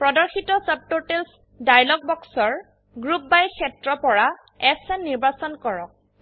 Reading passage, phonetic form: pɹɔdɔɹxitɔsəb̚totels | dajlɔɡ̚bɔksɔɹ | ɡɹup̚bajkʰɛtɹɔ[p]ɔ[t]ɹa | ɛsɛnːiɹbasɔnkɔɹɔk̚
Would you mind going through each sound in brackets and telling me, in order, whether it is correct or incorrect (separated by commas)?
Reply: correct, incorrect